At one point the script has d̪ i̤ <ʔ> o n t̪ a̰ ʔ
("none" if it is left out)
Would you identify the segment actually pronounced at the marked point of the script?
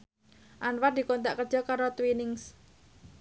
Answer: k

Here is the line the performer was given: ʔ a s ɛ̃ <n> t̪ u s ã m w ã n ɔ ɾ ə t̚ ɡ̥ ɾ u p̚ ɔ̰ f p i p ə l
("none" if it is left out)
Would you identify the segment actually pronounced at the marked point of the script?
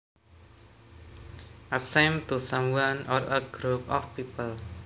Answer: m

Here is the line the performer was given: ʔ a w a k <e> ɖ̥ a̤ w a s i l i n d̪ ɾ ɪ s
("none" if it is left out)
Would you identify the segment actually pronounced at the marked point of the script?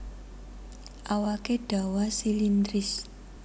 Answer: e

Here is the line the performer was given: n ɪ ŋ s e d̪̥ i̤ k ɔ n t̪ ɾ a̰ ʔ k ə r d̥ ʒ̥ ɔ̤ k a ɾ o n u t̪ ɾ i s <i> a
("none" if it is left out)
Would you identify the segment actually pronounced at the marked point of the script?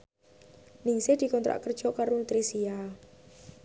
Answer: i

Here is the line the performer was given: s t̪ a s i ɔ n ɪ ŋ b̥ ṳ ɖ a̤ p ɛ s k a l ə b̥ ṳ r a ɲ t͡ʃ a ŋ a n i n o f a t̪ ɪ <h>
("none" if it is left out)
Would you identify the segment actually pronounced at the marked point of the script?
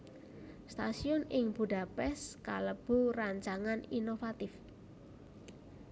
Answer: f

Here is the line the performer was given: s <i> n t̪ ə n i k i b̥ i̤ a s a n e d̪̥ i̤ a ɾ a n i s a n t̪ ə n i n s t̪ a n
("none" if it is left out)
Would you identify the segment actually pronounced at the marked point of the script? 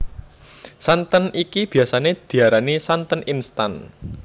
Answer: a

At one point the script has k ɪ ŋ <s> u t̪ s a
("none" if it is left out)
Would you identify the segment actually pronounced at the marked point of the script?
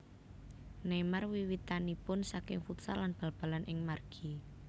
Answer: f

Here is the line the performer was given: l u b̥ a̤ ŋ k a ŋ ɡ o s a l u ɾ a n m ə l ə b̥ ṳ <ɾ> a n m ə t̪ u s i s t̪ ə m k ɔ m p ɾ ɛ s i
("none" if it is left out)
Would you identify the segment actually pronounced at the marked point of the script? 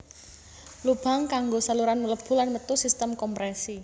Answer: l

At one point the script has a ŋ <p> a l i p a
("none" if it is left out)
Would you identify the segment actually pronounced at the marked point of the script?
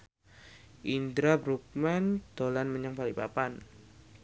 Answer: p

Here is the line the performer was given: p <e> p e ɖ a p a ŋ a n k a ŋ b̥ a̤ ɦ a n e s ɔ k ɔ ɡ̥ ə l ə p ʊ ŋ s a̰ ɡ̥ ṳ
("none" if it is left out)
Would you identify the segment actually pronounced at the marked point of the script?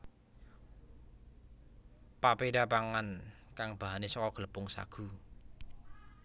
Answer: a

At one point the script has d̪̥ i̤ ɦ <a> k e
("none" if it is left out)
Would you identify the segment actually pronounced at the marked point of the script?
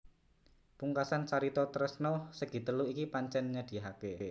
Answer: a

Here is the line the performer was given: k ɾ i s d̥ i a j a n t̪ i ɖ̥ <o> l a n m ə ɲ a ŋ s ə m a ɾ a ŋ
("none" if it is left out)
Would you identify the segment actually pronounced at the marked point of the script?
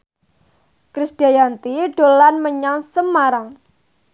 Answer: o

